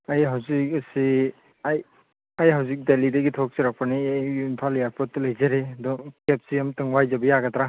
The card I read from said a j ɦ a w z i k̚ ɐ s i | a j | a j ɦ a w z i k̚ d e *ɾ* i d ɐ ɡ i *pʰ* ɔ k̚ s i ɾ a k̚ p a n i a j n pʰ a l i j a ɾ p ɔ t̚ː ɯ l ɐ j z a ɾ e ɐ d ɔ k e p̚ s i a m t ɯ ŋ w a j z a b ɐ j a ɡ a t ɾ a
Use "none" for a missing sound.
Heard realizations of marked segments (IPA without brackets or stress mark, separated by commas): l, tʰ